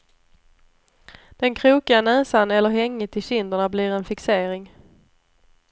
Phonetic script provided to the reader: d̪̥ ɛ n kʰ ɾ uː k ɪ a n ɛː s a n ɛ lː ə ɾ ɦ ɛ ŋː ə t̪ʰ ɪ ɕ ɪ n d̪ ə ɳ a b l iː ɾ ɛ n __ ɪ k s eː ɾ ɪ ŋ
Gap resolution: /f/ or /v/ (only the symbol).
f